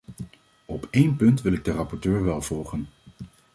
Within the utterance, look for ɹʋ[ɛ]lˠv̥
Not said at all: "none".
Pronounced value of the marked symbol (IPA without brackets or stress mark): ɛ